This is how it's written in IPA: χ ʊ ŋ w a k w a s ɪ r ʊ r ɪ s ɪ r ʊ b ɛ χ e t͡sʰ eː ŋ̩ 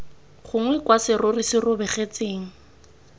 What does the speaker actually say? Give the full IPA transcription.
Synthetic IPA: χ ʊ ŋ w ɛ k w a s ɪ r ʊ r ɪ s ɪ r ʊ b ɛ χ e t͡s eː ŋ̩